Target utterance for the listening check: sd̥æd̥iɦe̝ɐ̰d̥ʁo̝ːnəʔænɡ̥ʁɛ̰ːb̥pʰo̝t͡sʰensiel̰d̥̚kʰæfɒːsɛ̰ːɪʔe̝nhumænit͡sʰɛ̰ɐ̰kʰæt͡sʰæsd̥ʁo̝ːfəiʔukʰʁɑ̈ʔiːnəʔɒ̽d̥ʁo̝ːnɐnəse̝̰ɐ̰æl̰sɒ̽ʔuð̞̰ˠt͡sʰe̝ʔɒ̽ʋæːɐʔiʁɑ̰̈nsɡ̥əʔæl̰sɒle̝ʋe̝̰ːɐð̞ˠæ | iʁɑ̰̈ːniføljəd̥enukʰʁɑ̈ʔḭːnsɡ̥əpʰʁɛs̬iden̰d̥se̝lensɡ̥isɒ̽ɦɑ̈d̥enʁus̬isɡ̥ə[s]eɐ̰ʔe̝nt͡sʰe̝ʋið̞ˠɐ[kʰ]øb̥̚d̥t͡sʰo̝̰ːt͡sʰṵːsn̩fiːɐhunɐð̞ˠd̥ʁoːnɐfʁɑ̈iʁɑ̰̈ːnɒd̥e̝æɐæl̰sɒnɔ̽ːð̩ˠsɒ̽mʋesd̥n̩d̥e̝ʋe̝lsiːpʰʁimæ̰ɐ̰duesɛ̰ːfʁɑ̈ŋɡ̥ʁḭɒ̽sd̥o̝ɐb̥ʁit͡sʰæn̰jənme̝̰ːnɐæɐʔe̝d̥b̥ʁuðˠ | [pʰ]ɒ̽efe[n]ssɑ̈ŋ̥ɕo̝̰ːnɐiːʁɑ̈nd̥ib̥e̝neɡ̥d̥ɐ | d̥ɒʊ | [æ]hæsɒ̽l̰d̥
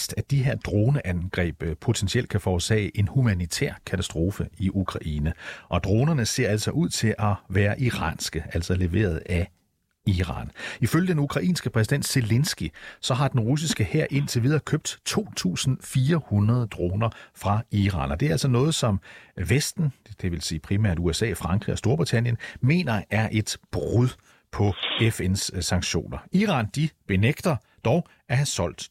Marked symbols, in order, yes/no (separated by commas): no, yes, yes, yes, yes